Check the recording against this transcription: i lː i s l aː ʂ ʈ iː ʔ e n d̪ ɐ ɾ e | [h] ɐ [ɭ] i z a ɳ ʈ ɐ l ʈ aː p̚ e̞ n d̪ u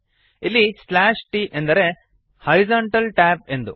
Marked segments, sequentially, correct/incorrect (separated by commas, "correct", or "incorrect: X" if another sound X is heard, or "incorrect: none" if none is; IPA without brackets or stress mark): correct, incorrect: ɾ